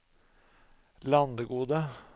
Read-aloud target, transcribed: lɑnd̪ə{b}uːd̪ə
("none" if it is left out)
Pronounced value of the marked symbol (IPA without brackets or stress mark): ɡ